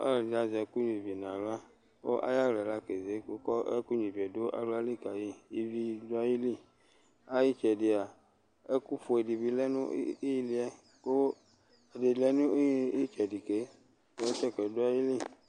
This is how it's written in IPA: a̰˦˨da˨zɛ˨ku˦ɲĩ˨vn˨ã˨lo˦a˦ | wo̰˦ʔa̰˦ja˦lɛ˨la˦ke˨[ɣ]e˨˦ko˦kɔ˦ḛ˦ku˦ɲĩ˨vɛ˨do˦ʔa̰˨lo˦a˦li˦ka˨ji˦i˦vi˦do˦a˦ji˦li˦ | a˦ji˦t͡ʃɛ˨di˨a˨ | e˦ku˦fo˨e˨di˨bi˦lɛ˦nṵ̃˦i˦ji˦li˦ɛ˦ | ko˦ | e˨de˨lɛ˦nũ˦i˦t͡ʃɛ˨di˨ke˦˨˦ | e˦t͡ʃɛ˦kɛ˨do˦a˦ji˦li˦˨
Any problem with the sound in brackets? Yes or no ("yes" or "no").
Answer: yes